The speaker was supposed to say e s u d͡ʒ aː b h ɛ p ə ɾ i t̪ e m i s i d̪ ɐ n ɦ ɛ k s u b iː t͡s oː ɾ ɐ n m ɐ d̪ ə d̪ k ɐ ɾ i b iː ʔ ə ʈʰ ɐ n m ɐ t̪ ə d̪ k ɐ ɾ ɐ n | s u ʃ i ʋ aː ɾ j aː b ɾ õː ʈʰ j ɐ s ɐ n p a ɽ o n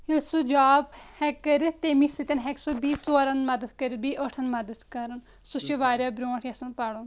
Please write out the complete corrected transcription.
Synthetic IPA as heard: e s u d͡ʒ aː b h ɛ k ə ɾ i t̪ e m i s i t̪ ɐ n ɦ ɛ k s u b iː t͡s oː ɾ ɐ n m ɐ d̪ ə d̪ k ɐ ɾ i b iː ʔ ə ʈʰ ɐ n m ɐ d̪ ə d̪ k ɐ ɾ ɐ n | s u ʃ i ʋ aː ɾ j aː b ɾ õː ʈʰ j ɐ s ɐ n p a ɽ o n